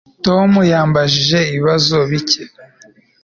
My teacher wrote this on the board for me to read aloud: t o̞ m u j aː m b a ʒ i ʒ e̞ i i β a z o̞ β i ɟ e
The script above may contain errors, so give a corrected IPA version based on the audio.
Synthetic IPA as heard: t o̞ m u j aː m b a ʒ i ʒ e̞ i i β a z o̞ β i c e